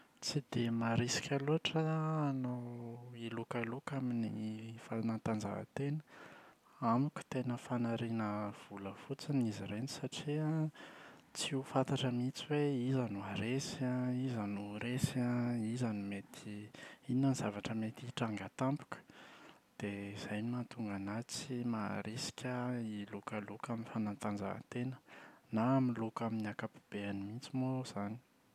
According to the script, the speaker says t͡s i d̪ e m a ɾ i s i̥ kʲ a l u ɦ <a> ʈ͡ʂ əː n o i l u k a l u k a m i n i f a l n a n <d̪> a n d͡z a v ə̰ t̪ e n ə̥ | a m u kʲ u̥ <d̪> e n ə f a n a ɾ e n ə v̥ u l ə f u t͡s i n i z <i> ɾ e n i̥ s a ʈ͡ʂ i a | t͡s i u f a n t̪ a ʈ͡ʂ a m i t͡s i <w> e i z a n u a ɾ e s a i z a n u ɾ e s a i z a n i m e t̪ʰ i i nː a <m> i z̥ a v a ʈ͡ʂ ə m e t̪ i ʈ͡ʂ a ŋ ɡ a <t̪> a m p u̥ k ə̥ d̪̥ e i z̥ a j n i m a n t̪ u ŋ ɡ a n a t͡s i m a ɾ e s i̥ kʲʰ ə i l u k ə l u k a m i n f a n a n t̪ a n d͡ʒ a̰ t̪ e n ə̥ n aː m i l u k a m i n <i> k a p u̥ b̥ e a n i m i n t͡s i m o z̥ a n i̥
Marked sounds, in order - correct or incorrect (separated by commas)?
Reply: correct, incorrect, incorrect, correct, correct, incorrect, correct, incorrect